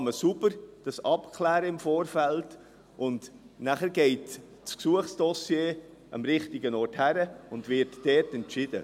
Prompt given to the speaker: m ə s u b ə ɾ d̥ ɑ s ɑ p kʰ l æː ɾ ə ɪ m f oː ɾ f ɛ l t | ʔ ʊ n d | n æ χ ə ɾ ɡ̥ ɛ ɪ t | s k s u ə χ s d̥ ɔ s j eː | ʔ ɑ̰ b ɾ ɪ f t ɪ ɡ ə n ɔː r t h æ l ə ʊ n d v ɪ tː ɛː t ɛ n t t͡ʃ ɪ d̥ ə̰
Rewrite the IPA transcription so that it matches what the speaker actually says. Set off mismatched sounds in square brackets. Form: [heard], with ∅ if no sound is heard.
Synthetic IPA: m ə s u b ə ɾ d̥ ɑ s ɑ p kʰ l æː ɾ ə ɪ m f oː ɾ f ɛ l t | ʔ ʊ n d | n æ χ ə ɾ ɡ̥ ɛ ɪ t | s k s u ə χ s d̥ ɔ s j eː | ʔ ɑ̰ [m] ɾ ɪ [χ] t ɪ ɡ ə n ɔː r t h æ [ɾ] ə ʊ n d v ɪ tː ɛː t ɛ n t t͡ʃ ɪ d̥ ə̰